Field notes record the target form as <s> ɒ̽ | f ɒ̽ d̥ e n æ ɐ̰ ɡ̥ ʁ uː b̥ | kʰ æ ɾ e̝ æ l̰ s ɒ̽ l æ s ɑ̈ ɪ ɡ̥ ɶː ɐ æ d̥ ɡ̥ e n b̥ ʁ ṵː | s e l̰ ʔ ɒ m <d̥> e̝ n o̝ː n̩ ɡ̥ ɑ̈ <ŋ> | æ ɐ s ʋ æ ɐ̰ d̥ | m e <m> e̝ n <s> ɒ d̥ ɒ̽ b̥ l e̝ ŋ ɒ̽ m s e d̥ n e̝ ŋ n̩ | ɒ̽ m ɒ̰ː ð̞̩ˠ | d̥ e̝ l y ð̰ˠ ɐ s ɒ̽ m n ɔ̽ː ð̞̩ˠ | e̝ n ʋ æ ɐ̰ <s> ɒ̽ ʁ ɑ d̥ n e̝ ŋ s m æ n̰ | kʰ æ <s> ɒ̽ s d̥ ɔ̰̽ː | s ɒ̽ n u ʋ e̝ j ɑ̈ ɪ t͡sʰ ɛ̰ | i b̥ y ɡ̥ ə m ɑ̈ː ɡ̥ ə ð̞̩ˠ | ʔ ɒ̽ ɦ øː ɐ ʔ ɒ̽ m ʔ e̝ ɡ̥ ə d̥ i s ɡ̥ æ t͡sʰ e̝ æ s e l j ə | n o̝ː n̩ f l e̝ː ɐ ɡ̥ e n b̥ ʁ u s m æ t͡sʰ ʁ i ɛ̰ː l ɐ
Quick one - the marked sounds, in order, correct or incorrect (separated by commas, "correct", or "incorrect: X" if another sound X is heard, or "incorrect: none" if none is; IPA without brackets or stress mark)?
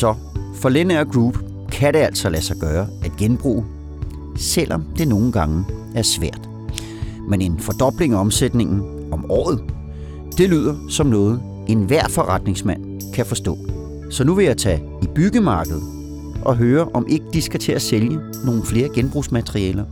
correct, correct, correct, incorrect: n, incorrect: f, incorrect: f, incorrect: f